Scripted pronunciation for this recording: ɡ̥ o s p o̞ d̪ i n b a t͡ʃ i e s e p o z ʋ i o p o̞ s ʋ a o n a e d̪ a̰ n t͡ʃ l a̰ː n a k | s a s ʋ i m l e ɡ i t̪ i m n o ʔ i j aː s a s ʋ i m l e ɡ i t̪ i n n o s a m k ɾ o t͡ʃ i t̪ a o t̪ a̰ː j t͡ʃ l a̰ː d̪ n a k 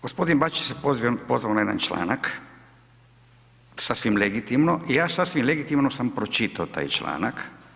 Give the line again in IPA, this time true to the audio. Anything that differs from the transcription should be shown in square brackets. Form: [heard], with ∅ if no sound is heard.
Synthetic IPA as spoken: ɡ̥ o s p o̞ d̪ i n b a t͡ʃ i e s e p o z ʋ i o p o̞ [z] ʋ a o n a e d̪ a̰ n t͡ʃ l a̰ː n a k | s a s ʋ i m l e ɡ i t̪ i m n o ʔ i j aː s a s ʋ i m l e ɡ i t̪ i [m] n o s a m [p] ɾ o t͡ʃ i t̪ a o t̪ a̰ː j t͡ʃ l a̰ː [∅] n a k